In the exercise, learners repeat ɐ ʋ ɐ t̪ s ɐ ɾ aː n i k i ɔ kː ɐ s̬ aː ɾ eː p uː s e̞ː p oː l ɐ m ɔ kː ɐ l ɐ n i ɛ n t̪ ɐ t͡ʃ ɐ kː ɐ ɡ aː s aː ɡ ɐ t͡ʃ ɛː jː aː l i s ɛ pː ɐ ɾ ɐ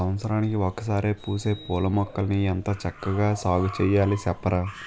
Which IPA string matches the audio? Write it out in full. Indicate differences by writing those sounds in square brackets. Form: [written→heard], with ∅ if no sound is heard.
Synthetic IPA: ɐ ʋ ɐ t̪ s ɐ ɾ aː n i k i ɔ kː ɐ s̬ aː ɾ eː p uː s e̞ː p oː l ɐ m ɔ kː ɐ l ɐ n i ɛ n t̪ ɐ t͡ʃ ɐ kː ɐ ɡ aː s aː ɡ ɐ t͡ʃ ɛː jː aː l i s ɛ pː ɐ ɾ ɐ